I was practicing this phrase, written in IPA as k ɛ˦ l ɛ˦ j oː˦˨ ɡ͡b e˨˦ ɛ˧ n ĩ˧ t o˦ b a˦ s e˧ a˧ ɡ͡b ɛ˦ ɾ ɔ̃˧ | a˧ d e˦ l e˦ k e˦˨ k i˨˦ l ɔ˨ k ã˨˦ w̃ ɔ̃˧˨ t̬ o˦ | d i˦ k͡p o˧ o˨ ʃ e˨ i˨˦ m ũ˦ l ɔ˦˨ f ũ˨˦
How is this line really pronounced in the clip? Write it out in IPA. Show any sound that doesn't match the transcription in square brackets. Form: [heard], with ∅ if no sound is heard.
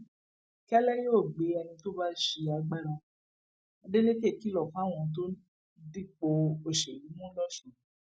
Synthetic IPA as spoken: k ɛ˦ l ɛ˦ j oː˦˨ ɡ͡b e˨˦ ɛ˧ n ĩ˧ t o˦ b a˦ [ʃ] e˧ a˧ ɡ͡b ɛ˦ ɾ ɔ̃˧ | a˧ d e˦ l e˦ k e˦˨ k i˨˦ l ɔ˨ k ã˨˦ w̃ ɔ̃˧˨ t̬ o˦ | d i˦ k͡p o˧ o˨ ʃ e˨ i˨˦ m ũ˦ l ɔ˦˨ [ʃ] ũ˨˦

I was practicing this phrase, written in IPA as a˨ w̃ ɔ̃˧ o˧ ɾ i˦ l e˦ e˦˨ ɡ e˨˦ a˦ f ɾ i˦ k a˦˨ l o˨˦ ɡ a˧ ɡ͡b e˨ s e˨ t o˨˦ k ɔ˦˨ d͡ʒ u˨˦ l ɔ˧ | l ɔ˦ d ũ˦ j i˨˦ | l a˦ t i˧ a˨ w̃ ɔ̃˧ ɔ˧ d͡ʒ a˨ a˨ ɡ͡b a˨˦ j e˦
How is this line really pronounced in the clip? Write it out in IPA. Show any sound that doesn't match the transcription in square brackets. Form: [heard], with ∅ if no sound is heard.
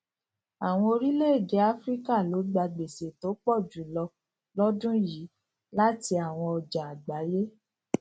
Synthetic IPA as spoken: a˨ w̃ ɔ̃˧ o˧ ɾ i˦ l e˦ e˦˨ ɡ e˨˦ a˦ f ɾ i˦ k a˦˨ l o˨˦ [ɡ͡b] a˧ ɡ͡b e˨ s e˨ t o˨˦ [k͡p] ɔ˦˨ d͡ʒ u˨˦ l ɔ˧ | l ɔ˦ d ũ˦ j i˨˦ | l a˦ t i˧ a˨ w̃ ɔ̃˧ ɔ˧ d͡ʒ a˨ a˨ ɡ͡b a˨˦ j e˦

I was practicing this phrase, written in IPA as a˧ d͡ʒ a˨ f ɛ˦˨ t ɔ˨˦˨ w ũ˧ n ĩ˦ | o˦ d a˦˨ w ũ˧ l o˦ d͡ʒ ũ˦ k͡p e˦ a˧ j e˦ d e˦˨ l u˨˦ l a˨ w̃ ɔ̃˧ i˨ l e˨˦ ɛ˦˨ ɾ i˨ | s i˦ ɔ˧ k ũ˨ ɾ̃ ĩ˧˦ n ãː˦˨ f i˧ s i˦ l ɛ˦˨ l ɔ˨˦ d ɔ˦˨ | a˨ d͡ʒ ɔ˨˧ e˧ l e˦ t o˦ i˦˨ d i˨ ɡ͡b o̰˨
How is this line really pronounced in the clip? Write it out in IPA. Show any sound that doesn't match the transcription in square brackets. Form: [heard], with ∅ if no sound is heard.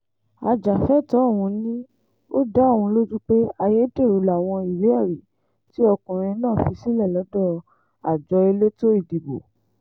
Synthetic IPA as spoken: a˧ d͡ʒ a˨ f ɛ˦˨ t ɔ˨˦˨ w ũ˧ n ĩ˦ | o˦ d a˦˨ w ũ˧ l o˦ d͡ʒ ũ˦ k͡p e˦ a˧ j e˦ d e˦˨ [ɾ] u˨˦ l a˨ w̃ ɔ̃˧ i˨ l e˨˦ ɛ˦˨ ɾ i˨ | [t] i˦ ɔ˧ k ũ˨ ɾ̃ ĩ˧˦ n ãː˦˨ f i˧ s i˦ l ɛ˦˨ l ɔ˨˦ d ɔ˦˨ | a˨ d͡ʒ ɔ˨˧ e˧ l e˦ t o˦ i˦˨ d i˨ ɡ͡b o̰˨

